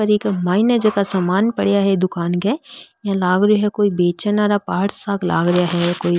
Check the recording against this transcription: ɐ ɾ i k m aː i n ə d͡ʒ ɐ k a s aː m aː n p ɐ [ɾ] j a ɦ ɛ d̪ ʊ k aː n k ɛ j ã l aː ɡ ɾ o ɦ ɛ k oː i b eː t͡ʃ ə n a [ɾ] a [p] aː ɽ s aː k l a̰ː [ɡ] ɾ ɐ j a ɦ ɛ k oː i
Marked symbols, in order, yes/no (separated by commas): no, yes, yes, yes